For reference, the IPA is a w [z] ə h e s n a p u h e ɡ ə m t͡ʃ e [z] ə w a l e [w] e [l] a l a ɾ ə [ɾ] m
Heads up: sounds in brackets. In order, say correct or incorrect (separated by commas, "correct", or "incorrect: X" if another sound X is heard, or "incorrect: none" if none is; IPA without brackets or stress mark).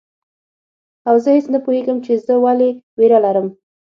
correct, correct, correct, incorrect: ɾ, incorrect: none